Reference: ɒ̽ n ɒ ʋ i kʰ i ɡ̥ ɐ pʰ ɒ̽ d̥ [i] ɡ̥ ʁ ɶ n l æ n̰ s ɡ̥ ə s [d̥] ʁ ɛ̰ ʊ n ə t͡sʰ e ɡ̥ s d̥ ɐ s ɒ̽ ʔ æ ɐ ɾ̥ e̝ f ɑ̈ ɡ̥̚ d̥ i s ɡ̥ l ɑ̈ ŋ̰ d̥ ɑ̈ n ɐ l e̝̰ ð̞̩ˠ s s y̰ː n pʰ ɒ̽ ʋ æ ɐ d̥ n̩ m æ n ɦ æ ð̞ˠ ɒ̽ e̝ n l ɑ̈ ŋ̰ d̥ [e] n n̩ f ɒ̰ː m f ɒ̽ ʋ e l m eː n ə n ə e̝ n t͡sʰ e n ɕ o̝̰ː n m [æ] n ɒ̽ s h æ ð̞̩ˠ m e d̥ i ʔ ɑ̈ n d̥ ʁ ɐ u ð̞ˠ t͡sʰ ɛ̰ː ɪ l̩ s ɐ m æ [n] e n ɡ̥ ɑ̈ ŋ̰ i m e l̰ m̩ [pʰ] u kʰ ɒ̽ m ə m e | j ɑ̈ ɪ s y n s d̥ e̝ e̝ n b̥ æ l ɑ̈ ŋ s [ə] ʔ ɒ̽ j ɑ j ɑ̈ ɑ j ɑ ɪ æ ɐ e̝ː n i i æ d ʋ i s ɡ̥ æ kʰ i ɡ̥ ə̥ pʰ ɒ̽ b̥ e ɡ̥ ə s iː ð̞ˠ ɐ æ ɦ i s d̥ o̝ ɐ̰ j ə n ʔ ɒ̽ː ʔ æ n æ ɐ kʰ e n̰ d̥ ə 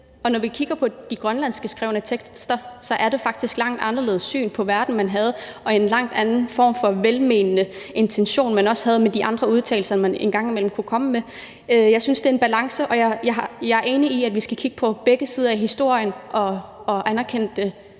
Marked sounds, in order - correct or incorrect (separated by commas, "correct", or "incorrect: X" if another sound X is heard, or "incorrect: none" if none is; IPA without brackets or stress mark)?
correct, incorrect: ɡ̥, incorrect: æ, correct, correct, incorrect: kʰ, correct